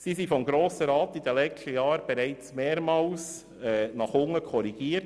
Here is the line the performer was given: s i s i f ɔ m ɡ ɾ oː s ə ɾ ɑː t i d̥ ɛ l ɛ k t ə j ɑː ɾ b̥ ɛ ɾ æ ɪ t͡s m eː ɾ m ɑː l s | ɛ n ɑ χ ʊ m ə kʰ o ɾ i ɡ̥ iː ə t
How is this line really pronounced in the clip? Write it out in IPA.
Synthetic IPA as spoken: s i s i f ɔ m ɡ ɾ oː s ə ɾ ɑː t i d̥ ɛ l ɛ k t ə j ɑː ɾ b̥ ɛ ɾ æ ɪ t͡s m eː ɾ m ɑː l s | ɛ n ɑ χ ʊ ŋ ə kʰ ɔ ɾ i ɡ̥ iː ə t